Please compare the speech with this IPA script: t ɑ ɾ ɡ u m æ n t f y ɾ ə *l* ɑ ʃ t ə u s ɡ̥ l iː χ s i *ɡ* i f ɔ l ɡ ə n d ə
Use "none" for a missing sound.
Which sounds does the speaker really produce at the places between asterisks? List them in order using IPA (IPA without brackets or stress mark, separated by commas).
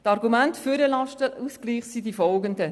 l, d